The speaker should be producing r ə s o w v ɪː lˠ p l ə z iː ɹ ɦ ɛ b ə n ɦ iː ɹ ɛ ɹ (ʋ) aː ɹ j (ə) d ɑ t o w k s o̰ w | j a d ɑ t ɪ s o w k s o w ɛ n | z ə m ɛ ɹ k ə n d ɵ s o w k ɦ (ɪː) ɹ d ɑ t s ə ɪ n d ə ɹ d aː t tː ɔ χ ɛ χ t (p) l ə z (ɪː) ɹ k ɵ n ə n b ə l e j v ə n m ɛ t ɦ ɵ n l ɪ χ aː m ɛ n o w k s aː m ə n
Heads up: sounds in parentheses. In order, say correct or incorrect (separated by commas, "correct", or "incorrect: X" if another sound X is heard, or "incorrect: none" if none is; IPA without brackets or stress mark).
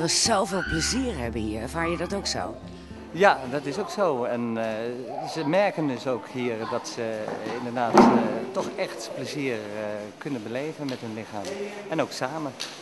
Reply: incorrect: v, correct, incorrect: iː, correct, incorrect: iː